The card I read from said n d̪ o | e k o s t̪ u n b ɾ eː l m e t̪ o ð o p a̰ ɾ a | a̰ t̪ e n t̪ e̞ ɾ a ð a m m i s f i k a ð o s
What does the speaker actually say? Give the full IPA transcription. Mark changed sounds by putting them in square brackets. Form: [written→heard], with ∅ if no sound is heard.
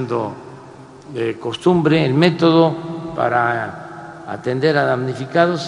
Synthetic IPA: n d̪ o | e k o s t̪ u [n→m] b ɾ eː l m e t̪ o ð o p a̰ ɾ a | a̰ t̪ e n [t̪→d̪] e̞ ɾ a ð a m [m→n] i [s→∅] f i k a ð o s